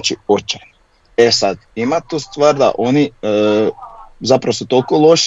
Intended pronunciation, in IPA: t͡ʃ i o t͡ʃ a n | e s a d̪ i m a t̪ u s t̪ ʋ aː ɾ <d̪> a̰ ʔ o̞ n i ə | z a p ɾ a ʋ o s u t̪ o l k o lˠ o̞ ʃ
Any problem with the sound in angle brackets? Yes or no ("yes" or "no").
no